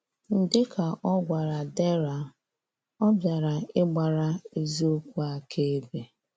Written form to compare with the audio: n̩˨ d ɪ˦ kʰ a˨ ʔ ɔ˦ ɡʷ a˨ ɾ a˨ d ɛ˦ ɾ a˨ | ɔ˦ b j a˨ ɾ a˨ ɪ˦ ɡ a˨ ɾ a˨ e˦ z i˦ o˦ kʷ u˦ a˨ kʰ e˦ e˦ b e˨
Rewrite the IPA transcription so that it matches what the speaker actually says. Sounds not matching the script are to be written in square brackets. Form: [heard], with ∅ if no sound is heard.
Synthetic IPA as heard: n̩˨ d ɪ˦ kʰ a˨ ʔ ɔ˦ ɡʷ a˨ ɾ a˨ d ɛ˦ ɾ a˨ | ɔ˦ b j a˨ ɾ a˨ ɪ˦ [ɡ͡b] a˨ ɾ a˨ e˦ z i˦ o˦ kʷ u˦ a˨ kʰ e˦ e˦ b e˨